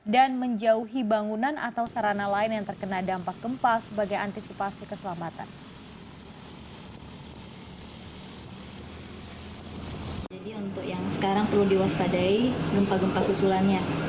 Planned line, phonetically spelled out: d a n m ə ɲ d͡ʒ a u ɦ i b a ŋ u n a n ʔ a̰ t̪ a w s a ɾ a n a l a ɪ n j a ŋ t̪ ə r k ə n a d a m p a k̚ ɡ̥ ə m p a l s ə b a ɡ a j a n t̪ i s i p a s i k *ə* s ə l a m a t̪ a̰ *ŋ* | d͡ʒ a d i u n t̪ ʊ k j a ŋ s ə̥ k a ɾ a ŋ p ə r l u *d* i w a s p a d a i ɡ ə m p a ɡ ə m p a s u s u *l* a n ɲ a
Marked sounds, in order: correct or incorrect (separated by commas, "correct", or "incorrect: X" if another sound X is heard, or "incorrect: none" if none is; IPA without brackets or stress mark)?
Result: correct, incorrect: n, correct, correct